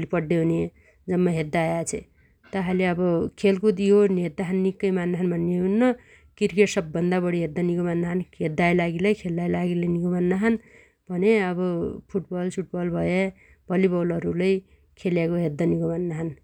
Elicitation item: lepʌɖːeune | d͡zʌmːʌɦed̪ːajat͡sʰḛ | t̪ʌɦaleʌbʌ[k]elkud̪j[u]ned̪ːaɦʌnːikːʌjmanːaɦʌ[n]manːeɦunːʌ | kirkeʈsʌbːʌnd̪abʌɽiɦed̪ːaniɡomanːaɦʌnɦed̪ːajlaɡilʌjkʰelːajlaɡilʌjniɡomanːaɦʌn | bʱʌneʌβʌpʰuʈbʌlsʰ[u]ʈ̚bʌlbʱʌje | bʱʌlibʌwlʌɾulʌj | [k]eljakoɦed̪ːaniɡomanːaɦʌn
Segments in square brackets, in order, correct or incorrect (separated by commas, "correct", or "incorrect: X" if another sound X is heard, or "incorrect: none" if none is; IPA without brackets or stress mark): incorrect: kʰ, incorrect: o, correct, correct, incorrect: kʰ